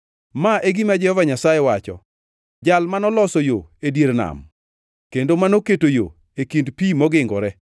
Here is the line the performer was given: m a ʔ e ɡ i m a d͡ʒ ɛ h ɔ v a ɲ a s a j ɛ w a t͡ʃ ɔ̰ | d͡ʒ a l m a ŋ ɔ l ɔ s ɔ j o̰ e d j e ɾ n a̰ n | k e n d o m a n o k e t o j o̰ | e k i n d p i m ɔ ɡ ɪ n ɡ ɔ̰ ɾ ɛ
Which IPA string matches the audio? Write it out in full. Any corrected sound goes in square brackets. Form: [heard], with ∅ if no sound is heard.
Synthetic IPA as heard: m a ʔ e ɡ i m a d͡ʒ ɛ h ɔ v a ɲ a s a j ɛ w a t͡ʃ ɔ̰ | d͡ʒ a l m a [n] ɔ l ɔ s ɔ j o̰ e d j e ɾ n a̰ [m] | k e n d o m a n o k e t o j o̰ | e k i n d p i m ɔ ɡ ɪ [ŋ] ɡ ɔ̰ ɾ ɛ